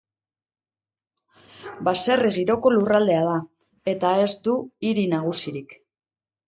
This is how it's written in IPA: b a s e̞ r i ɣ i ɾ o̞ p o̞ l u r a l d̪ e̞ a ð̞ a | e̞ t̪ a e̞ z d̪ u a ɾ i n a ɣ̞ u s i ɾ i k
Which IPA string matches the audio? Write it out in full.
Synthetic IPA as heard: b a s e̞ r i ɣ i ɾ o̞ k o̞ l u r a l d̪ e̞ a ð̞ a | e̞ t̪ a e̞ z d̪ u i ɾ i n a ɣ̞ u s i ɾ i k